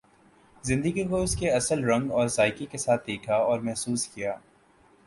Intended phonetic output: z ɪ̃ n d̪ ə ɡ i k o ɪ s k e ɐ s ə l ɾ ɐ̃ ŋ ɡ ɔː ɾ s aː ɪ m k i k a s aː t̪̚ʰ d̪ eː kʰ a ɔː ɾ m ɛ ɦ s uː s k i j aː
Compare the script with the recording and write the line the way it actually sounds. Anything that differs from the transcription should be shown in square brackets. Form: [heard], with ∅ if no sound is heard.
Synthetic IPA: z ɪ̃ n d̪ ə ɡ i k o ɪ s k e ɐ s ə l ɾ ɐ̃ ŋ ɡ ɔː ɾ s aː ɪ [∅] k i k [e] s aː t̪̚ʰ d̪ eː kʰ a ɔː ɾ m ɛ ɦ s uː s k i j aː